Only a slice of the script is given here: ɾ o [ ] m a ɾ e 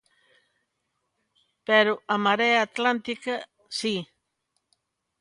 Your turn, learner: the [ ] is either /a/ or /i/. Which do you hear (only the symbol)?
a